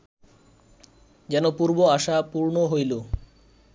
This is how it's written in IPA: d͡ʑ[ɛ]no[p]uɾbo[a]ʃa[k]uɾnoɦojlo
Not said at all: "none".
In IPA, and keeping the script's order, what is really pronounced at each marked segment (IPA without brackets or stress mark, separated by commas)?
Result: ɛ, p, a, p